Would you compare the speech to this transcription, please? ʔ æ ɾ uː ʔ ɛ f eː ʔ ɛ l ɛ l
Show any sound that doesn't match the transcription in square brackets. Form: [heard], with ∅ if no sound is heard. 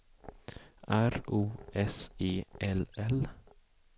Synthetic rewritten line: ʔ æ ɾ uː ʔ ɛ [s] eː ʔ ɛ l ɛ l